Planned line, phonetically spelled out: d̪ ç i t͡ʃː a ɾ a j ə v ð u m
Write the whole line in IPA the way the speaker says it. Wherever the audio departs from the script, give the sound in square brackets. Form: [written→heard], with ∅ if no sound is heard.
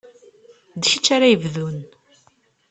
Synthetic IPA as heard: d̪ ç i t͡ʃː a ɾ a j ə v ð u [m→n]